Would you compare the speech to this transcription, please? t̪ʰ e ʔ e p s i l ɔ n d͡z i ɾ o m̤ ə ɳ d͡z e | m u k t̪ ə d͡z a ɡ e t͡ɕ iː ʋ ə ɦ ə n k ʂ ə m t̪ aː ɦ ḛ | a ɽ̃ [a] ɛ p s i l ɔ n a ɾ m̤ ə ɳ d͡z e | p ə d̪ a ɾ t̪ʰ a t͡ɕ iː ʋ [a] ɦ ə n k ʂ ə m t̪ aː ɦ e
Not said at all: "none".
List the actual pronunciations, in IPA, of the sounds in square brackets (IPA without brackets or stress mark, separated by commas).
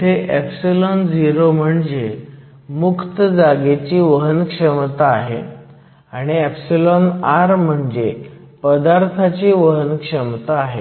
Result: i, ə